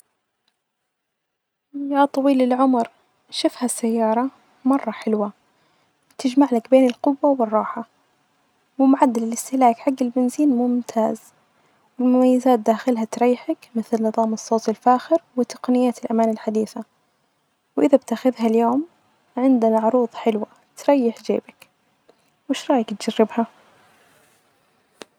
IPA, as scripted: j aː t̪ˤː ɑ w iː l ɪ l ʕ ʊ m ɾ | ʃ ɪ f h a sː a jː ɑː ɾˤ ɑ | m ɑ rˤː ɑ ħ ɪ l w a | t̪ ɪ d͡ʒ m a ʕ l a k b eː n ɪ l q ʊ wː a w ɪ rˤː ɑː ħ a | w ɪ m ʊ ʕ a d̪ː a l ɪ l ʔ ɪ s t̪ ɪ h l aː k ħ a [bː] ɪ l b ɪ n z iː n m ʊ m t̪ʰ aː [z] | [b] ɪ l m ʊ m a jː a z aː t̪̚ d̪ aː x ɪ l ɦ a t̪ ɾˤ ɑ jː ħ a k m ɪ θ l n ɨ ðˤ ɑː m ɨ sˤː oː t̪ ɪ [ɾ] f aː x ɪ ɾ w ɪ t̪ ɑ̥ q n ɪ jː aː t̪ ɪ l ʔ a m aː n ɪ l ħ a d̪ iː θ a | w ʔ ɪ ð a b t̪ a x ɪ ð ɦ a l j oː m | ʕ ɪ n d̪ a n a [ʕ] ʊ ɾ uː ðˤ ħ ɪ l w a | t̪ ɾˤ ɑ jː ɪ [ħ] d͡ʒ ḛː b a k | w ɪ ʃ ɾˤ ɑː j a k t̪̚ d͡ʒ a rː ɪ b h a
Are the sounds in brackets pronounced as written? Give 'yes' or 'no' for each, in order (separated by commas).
no, yes, no, no, yes, yes